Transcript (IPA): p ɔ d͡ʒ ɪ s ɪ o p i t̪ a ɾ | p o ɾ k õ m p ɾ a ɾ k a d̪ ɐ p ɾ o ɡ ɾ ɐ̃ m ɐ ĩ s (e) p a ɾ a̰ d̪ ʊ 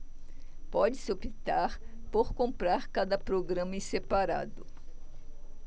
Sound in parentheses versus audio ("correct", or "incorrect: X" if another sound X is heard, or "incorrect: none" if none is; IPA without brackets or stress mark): correct